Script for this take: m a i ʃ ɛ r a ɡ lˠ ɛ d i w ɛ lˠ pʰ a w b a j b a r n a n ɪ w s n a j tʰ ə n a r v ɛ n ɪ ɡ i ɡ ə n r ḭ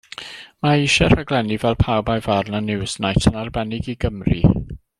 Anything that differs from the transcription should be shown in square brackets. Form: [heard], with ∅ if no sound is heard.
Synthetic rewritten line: m a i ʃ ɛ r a ɡ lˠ ɛ [n] i [v] ɛ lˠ pʰ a w b a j [v] a r n a n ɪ w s n a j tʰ ə n a r [b] ɛ n ɪ ɡ i ɡ ə [m] r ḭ